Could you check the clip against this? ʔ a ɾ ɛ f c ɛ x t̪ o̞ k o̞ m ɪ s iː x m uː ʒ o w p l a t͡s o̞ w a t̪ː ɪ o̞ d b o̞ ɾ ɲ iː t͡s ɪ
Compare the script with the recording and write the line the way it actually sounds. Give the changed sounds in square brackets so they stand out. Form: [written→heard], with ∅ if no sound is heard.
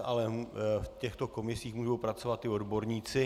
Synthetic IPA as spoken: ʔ a [ɾ→l] ɛ f c ɛ x t̪ o̞ k o̞ m ɪ s iː x m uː ʒ o w p [l→ɾ] a t͡s o̞ [w→v] a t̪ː ɪ o̞ d b o̞ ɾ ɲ iː t͡s ɪ